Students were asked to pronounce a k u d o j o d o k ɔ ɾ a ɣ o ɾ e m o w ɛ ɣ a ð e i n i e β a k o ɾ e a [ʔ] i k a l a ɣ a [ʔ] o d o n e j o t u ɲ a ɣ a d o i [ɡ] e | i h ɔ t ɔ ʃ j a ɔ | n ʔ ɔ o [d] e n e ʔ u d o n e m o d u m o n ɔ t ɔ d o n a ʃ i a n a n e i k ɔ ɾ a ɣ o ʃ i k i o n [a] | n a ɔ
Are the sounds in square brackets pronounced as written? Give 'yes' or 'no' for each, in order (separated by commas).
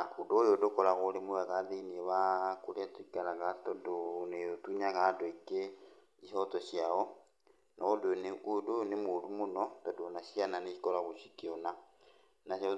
no, no, no, yes, yes